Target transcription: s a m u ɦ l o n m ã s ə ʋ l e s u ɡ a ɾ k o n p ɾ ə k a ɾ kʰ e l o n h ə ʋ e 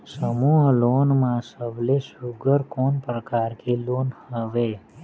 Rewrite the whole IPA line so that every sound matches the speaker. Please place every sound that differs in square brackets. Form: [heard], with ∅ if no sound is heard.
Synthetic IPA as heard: s [ə] m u ɦ l o n m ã s ə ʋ l e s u ɡ [ə] ɾ k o n p ɾ ə k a ɾ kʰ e l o n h ə ʋ e